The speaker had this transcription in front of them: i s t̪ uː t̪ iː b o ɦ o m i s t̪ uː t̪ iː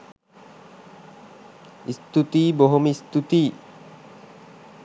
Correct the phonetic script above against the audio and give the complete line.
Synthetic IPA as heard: i s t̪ u t̪ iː b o ɦ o m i s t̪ u t̪ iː